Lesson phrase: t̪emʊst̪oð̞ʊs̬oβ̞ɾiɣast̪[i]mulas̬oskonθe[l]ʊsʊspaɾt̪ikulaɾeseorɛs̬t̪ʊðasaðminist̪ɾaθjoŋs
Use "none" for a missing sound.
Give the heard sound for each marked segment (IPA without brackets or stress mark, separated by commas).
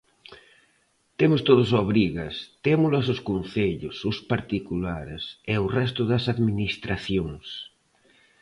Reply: e, ʎ